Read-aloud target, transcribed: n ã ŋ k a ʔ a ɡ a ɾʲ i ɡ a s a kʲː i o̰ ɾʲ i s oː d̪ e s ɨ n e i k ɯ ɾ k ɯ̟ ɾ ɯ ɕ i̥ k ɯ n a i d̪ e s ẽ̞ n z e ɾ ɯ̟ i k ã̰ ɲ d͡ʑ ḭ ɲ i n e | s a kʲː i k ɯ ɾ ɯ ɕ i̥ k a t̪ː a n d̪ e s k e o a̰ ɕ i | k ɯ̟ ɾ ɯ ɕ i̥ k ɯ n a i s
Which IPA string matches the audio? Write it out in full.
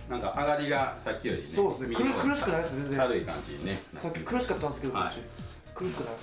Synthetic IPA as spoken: n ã ŋ k a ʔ a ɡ a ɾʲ i ɡ a s a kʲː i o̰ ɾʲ i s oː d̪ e s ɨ n e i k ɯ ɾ k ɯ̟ ɾ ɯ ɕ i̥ k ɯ n a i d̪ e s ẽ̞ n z e ɾ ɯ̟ i k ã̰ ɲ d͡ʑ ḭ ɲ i n e | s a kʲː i k ɯ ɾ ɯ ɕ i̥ k a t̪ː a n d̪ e s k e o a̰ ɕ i | k ɯ̟ ɾ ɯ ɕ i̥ k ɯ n a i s